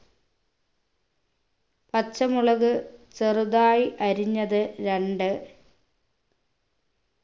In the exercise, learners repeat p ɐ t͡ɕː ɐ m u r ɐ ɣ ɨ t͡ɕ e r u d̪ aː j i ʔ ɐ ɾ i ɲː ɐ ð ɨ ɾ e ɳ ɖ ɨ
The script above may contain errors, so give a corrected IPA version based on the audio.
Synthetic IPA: p ɐ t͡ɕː ɐ m u ɭ ɐ ɣ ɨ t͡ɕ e r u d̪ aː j i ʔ ɐ ɾ i ɲː ɐ ð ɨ ɾ e ɳ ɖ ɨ

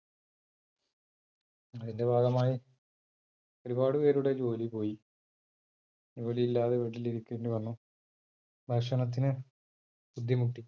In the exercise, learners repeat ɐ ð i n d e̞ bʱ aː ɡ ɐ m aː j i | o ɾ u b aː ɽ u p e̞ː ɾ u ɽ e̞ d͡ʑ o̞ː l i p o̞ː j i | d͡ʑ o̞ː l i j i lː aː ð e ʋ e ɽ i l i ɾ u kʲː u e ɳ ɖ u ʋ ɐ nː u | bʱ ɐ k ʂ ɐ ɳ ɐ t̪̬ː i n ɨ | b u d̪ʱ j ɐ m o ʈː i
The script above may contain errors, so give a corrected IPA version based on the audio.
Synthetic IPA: ɐ ð i n d e̞ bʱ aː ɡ ɐ m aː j i | o ɾ u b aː ɽ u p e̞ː ɾ u ɽ e̞ d͡ʑ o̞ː l i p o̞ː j i | d͡ʑ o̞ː l i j i lː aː ð e ʋ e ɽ i l i ɾ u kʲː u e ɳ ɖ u ʋ ɐ nː u | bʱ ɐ k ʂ ɐ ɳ ɐ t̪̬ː i n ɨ | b u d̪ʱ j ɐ m u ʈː i

